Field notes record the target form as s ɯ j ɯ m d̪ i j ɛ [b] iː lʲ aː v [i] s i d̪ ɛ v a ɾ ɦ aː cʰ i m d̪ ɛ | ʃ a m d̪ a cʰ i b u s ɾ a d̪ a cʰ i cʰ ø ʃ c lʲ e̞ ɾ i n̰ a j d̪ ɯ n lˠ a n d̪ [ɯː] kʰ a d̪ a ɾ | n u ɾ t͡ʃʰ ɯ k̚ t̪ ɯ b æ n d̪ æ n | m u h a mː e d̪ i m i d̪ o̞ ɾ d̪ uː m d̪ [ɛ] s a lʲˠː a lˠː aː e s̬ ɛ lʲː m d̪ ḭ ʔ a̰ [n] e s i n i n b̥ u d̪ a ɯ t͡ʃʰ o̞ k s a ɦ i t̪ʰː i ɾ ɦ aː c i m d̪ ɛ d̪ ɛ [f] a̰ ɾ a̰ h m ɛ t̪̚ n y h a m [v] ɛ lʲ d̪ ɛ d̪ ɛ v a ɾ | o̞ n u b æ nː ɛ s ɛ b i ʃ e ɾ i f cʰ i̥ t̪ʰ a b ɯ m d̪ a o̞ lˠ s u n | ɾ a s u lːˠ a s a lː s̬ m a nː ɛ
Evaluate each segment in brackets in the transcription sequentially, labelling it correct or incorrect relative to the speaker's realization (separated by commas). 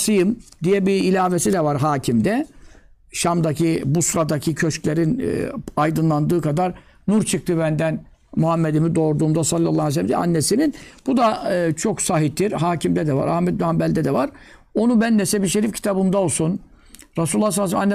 correct, incorrect, correct, incorrect, incorrect, incorrect, incorrect